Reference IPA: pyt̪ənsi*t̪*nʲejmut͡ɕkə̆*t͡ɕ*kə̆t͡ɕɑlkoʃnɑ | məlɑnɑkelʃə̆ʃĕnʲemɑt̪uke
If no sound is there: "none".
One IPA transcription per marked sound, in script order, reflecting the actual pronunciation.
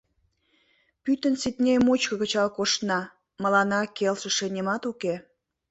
t̪, none

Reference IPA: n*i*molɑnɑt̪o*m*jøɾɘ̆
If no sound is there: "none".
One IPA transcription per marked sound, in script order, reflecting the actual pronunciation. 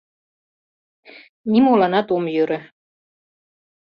i, m

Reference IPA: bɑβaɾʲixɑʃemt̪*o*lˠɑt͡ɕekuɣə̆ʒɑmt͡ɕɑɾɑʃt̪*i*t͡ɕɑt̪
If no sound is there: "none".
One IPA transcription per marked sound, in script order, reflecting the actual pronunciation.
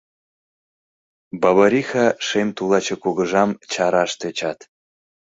u, e

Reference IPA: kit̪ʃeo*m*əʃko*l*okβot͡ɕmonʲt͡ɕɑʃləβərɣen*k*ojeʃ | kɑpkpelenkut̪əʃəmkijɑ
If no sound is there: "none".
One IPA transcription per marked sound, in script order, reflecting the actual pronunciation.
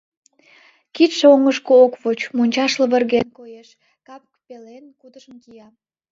ŋ, none, k

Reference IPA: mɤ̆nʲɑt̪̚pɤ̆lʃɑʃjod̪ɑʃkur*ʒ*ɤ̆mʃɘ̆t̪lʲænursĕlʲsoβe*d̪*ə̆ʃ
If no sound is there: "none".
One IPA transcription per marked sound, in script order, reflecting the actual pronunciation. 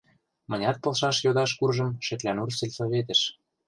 ʒ, t̪

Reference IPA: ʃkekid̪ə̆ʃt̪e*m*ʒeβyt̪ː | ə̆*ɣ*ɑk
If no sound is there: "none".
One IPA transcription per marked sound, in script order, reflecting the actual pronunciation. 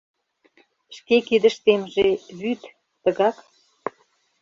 m, ɣ

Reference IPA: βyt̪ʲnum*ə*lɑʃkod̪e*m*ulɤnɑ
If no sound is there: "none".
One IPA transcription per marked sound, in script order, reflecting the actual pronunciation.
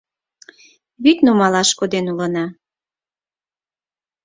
ɑ, n

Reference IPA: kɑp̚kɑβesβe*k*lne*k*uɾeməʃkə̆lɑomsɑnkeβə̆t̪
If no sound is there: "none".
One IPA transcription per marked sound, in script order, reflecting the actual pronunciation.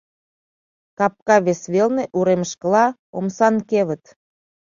none, ʔ

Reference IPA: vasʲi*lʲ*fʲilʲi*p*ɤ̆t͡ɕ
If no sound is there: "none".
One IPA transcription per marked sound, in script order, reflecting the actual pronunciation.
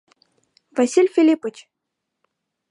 lʲ, p

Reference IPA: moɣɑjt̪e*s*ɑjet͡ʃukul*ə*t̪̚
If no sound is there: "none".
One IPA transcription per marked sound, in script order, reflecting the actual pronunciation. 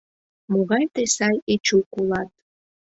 s, ɑ

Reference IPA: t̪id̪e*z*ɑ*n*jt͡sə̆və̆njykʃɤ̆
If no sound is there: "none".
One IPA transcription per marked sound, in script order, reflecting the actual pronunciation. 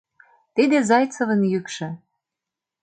z, none

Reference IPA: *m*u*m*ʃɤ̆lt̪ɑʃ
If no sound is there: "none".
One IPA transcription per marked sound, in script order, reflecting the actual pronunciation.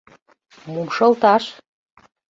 m, m

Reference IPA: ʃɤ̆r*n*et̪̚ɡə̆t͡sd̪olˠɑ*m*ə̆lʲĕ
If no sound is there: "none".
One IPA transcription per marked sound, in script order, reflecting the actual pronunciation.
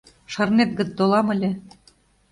n, m

